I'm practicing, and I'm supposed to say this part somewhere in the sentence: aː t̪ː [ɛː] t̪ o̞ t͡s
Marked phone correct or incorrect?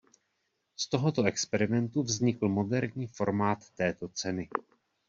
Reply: correct